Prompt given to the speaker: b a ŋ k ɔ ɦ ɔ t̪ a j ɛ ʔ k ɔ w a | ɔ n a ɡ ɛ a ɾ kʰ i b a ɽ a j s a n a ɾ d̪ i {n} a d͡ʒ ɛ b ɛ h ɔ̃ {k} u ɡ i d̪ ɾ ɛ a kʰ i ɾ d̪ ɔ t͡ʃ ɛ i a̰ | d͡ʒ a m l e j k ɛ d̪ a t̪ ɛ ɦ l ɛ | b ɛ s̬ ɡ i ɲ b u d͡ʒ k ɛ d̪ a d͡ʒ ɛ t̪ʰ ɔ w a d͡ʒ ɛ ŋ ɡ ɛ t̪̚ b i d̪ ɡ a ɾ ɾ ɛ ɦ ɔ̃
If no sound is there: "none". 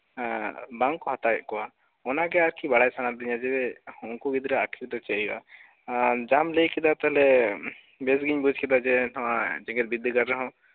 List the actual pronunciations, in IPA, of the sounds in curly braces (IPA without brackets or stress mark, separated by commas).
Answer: ɲ, k